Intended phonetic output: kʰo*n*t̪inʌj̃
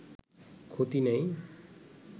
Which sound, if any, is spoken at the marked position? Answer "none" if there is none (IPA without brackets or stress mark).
none